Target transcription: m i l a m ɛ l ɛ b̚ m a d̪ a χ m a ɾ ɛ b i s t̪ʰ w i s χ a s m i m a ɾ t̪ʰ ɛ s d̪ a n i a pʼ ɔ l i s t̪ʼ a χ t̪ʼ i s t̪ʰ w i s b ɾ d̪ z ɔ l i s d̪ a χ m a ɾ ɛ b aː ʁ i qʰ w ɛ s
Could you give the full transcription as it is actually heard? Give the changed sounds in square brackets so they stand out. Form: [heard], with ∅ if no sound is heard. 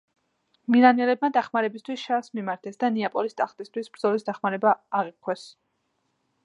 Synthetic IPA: m i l a [n] ɛ l ɛ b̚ m a d̪ a χ m a ɾ ɛ b i s t̪ʰ w i s [ʃ] a s m i m a ɾ t̪ʰ ɛ s d̪ a n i a pʼ ɔ l i s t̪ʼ a χ t̪ʼ i s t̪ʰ w i s b ɾ d̪ z ɔ l i s d̪ a χ m a ɾ ɛ b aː ʁ i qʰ w ɛ s